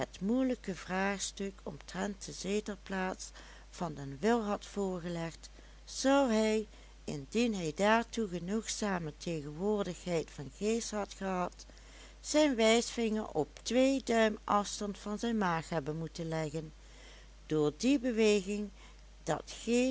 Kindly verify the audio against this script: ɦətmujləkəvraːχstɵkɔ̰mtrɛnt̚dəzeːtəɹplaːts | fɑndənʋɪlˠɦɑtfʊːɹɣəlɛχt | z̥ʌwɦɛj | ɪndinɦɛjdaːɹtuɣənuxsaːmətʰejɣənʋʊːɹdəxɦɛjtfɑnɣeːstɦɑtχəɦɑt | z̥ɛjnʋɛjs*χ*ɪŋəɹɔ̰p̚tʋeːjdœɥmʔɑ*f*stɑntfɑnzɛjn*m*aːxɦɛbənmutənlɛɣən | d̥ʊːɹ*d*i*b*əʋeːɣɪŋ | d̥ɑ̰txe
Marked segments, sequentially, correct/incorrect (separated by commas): incorrect, correct, correct, correct, correct